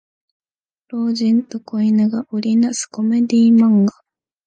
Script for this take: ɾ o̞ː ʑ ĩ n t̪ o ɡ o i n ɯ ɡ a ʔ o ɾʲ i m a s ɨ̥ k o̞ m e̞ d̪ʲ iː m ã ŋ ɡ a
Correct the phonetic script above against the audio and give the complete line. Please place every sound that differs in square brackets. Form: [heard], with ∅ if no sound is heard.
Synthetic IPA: ɾ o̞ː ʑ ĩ n t̪ o [k] o i n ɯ ɡ a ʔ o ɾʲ i [n] a s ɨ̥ k o̞ m e̞ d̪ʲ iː m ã ŋ ɡ a